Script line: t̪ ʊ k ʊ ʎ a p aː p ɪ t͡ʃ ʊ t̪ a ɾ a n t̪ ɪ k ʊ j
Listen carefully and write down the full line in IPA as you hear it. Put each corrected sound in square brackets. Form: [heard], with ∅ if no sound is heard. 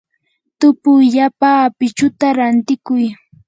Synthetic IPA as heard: t̪ ʊ [p] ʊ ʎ a p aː p ɪ t͡ʃ ʊ t̪ a ɾ a n t̪ ɪ k ʊ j